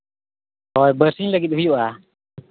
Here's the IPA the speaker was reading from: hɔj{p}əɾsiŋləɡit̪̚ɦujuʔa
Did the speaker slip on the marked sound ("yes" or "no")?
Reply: yes